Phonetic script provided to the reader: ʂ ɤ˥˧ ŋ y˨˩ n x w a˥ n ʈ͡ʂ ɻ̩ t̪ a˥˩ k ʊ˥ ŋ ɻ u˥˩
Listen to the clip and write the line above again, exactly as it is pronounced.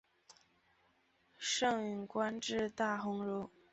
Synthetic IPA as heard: ʂ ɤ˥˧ ŋ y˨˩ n k w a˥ n ʈ͡ʂ ɻ̩ t̪ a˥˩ x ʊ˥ ŋ ɻ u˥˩